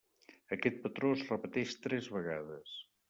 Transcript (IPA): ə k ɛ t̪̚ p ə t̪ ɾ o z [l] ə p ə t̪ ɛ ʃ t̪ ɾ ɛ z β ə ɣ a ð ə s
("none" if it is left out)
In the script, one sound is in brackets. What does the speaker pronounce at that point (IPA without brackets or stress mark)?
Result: r